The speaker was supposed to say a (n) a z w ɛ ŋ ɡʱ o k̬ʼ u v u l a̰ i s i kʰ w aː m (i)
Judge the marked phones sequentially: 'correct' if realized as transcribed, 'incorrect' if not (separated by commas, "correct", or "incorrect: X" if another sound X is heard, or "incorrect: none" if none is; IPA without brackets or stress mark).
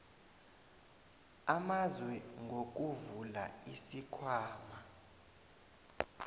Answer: incorrect: m, incorrect: a